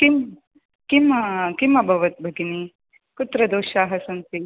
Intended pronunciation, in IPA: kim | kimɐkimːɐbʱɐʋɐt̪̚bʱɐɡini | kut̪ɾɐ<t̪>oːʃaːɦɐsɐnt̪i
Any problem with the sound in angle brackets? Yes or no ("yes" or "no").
yes